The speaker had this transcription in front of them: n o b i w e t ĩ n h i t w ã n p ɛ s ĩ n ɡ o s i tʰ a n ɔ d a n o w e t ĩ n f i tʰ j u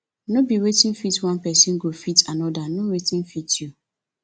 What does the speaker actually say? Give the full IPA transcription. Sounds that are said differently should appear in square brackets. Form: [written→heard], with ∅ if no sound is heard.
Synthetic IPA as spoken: n o b i w e t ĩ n [h→f] i t w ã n p ɛ s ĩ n ɡ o [s→f] i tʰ a n ɔ d a n o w e t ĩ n f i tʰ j u